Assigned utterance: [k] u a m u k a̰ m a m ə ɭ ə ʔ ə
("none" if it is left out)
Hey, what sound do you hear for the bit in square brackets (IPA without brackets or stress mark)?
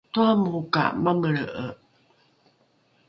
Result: t